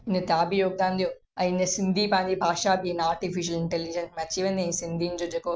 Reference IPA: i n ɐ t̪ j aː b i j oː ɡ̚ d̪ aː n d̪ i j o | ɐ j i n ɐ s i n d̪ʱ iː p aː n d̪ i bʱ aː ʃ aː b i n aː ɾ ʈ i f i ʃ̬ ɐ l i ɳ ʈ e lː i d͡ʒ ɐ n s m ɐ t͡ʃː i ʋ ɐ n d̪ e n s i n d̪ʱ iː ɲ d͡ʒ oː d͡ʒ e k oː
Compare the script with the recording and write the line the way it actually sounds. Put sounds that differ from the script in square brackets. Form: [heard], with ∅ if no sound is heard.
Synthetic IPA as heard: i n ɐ t̪ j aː b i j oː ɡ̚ d̪ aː n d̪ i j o | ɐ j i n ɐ s i n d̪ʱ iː p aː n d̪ i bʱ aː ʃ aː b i n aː ɾ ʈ i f i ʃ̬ ɐ l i ɳ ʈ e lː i d͡ʒ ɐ n s m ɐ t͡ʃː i ʋ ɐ n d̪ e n s i n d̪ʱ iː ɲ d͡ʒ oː d͡ʒ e k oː